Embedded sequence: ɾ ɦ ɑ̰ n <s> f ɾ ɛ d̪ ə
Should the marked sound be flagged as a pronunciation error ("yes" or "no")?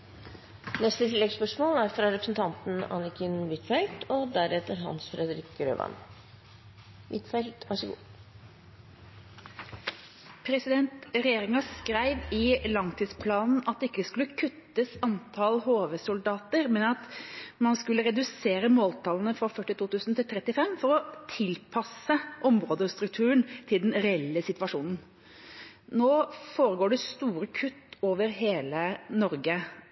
no